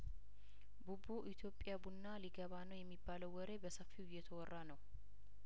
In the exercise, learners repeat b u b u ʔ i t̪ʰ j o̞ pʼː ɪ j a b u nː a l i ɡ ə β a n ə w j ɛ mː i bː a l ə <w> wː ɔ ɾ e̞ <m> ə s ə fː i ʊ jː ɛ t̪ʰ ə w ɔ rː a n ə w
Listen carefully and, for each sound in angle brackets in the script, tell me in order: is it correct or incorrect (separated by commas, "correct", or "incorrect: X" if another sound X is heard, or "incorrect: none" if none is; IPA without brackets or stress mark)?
correct, incorrect: b